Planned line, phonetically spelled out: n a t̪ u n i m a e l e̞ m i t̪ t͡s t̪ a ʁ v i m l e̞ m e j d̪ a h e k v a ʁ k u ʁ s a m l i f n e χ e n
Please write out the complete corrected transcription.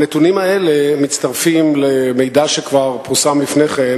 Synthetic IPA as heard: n e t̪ u n i m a e l e̞ m i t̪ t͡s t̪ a ʁ f i m l e̞ m e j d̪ a ʃ e k v a ʁ p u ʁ s a m l i f n e χ e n